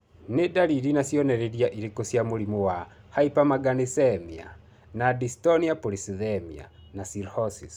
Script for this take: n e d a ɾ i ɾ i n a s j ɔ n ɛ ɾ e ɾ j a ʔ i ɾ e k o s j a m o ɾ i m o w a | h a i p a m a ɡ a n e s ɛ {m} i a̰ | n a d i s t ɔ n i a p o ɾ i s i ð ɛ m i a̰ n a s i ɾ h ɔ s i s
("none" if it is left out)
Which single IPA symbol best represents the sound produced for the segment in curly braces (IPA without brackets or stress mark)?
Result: m